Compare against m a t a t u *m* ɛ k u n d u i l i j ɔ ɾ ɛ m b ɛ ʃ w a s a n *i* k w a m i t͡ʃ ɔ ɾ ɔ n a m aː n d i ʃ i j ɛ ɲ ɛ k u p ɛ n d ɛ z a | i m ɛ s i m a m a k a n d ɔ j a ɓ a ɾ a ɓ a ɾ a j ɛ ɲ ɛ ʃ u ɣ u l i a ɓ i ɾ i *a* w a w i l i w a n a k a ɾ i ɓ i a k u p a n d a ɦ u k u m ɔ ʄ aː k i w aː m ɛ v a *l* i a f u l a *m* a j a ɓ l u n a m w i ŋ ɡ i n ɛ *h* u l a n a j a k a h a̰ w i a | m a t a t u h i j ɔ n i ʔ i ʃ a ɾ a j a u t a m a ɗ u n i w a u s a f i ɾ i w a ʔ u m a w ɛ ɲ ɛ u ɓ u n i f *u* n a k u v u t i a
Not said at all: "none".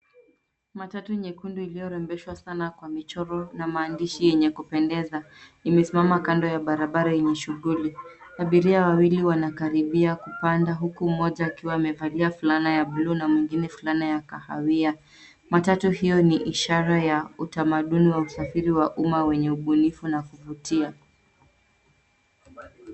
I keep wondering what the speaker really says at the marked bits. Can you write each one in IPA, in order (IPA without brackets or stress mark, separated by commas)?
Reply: ɲ, a, a, l, n, f, u